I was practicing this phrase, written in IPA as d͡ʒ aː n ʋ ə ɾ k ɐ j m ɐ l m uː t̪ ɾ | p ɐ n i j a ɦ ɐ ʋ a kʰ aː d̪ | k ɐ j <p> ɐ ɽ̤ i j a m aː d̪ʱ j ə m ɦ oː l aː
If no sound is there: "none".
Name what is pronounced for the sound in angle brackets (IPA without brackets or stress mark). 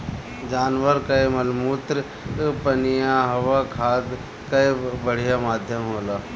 b